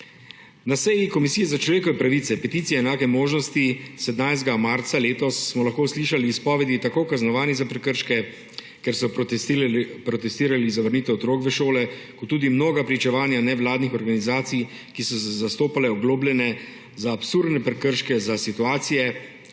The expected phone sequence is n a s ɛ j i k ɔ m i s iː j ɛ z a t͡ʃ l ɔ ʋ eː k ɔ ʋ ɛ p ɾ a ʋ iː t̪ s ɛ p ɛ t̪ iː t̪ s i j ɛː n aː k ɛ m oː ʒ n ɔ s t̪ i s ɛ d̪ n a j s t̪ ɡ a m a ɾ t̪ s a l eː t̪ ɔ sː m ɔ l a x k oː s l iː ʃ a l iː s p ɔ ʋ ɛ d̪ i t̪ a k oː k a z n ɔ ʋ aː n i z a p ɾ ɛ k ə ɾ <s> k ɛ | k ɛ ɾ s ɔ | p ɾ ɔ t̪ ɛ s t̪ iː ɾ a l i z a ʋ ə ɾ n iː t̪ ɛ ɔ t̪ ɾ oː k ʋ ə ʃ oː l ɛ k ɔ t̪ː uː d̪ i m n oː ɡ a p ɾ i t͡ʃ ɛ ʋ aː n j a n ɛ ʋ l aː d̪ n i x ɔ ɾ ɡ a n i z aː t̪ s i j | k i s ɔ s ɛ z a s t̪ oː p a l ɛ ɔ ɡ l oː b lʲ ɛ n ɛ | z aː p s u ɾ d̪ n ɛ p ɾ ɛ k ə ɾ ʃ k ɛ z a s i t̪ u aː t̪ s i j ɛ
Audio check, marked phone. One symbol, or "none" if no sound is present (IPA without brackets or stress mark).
ʃ